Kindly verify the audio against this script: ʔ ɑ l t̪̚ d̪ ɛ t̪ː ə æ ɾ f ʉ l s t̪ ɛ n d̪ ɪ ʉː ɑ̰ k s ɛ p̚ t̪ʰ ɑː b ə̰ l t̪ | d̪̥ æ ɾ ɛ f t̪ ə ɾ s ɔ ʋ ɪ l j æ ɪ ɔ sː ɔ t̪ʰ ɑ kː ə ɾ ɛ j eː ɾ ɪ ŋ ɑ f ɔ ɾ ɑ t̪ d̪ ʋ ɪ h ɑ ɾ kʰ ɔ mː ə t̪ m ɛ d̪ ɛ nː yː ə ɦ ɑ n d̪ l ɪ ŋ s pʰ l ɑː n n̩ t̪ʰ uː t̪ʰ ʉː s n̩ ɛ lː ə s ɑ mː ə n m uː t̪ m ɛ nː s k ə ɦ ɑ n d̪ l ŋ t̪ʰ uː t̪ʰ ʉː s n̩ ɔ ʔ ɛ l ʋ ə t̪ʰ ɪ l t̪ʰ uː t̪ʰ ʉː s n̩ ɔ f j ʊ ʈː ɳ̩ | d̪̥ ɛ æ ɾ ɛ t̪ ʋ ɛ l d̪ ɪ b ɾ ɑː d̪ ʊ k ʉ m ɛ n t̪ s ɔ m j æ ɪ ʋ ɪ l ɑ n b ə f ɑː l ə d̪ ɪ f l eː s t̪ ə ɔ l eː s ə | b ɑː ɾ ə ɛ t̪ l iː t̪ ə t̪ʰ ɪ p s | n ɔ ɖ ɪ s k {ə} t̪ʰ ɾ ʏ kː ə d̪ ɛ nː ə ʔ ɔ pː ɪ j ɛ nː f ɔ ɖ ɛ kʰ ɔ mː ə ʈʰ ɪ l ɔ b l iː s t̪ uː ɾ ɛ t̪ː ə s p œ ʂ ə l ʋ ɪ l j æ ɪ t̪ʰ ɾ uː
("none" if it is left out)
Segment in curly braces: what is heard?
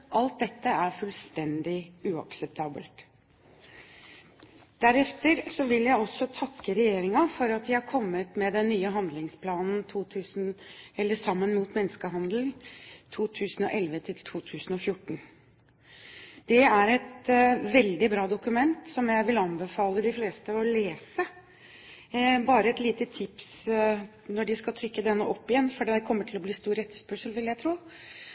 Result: ɑ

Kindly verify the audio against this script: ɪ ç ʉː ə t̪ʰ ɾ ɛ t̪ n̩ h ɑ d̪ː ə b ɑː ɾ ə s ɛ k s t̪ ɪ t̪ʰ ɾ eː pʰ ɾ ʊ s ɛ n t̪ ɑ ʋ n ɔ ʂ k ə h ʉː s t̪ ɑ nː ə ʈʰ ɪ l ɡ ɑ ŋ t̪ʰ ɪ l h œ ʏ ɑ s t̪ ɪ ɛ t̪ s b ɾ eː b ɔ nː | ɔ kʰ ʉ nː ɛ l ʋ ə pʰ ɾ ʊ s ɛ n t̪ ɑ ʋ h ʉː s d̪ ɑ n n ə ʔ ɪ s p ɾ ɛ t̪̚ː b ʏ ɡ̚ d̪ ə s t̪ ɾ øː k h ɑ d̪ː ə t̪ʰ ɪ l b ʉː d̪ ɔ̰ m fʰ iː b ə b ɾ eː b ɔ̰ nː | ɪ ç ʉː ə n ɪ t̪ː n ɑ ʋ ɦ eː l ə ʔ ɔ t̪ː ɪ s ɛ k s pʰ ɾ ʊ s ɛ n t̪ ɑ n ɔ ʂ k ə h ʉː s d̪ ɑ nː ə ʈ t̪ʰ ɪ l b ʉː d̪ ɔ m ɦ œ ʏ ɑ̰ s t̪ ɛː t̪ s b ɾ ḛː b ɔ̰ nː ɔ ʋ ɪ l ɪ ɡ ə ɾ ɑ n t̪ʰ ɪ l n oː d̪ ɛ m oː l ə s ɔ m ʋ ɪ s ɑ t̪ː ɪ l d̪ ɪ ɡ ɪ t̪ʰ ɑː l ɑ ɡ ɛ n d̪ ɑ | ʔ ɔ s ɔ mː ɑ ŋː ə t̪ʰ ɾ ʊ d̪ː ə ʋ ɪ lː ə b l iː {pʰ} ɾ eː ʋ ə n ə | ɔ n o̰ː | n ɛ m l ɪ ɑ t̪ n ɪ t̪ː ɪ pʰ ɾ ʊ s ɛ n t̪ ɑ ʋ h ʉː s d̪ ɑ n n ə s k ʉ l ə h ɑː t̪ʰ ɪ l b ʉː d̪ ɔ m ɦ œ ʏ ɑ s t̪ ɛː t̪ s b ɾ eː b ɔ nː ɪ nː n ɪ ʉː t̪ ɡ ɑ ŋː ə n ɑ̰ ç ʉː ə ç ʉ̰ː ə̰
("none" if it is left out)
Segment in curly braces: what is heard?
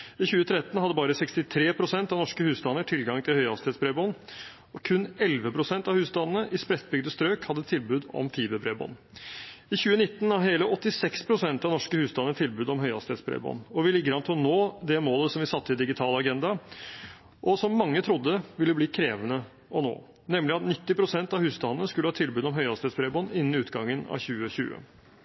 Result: kʰ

